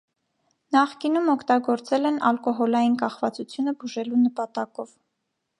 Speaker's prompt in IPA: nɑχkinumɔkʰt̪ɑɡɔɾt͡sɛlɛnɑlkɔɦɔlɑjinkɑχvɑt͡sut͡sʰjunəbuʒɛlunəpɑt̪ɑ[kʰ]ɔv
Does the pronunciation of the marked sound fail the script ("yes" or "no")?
yes